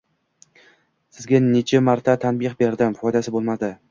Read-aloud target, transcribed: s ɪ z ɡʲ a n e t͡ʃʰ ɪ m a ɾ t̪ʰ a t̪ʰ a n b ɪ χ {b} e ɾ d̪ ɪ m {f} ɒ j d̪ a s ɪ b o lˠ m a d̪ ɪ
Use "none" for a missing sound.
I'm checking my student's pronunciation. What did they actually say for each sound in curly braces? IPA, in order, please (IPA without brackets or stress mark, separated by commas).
b, f